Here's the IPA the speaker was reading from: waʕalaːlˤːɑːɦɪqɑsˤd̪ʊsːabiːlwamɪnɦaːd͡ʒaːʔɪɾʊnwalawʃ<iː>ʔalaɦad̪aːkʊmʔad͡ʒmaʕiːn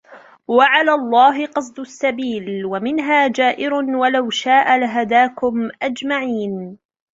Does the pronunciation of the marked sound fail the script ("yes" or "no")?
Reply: yes